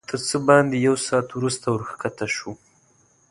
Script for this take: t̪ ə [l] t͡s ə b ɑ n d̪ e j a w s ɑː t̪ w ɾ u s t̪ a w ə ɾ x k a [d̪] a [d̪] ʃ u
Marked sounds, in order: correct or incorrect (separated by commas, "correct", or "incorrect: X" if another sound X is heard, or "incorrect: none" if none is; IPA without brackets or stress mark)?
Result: incorrect: ɾ, incorrect: t̪, incorrect: none